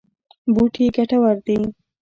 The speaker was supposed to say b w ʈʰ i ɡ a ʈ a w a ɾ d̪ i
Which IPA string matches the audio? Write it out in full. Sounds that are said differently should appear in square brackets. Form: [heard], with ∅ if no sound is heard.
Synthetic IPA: b [u] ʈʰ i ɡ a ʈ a w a ɾ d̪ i